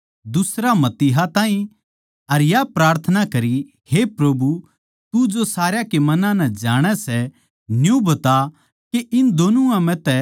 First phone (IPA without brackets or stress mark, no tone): d̪